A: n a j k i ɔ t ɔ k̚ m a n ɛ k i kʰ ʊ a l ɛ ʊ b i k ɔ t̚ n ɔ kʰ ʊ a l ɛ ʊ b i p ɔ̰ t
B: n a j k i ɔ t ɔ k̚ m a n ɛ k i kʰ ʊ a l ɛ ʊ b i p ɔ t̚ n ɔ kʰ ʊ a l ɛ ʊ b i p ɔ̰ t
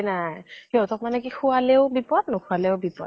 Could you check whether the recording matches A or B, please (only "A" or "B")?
B